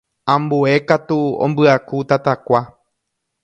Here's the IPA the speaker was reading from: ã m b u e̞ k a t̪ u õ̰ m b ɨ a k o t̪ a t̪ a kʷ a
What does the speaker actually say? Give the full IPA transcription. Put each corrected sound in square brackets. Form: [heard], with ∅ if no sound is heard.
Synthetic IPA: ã m b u e̞ k a t̪ u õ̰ m b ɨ a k [u] t̪ a t̪ a kʷ a